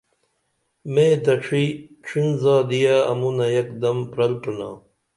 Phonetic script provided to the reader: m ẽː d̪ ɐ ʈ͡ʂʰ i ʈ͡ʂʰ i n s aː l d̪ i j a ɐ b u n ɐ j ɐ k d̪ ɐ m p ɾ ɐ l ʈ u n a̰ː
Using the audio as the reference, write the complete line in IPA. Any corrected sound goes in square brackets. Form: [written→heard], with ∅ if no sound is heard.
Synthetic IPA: m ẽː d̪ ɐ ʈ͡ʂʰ i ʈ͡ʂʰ i n [s→z] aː [l→∅] d̪ i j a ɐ [b→m] u n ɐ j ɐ k d̪ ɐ m p ɾ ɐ l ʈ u n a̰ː